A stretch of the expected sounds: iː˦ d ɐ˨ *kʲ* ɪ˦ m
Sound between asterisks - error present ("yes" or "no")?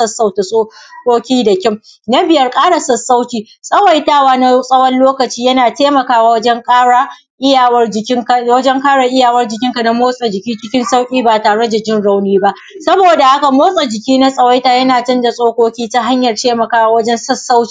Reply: no